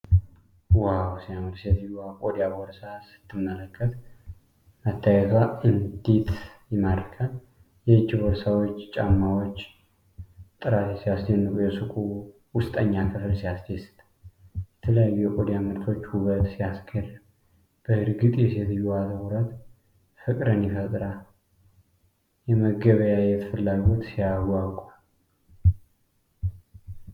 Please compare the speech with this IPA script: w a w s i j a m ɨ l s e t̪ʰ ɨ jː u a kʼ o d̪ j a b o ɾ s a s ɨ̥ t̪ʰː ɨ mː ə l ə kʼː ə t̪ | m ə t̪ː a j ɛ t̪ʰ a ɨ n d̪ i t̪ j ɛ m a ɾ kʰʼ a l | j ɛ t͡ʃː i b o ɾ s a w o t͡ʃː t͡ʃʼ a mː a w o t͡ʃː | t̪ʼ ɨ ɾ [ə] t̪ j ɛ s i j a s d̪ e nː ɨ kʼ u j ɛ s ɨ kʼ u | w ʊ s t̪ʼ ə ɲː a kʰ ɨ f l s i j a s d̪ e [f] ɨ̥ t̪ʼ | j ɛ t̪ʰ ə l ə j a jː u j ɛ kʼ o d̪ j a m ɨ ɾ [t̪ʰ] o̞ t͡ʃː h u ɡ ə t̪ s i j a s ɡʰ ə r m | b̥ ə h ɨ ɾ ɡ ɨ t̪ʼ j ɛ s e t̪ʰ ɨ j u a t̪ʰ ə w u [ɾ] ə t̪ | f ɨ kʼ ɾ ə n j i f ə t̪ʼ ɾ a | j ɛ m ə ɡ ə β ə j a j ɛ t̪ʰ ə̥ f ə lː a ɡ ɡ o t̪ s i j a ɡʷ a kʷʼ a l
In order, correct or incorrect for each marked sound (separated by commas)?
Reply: incorrect, incorrect, correct, correct